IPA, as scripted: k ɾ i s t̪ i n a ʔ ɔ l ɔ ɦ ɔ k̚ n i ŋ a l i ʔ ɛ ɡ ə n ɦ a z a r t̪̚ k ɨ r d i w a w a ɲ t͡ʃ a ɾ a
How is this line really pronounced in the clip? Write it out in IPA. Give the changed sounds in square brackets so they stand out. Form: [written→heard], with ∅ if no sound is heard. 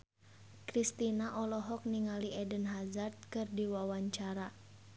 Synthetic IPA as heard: k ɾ i s t̪ i n a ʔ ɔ l ɔ ɦ ɔ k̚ n i ŋ a l i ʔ ɛ [ɡ→d] ə n ɦ a z a r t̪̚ k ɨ r d i w a w a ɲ t͡ʃ a ɾ a